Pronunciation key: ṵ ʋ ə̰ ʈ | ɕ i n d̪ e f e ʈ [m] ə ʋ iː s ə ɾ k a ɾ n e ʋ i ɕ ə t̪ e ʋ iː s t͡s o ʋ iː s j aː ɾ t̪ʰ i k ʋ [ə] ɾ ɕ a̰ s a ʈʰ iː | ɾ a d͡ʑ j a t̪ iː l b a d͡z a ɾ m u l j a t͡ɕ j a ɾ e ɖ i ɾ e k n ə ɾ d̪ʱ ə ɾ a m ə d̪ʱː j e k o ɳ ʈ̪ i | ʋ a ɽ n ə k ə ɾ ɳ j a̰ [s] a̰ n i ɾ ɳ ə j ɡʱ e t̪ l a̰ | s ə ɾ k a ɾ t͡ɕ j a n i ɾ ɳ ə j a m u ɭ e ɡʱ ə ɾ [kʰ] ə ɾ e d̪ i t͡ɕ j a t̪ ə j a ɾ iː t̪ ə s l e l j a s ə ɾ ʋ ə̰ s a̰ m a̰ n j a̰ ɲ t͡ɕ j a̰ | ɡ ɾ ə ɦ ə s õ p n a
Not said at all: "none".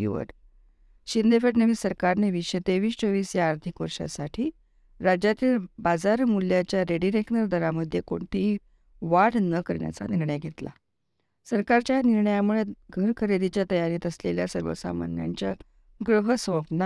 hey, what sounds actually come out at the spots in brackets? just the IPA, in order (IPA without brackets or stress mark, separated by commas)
n, ə, t͡s, kʰ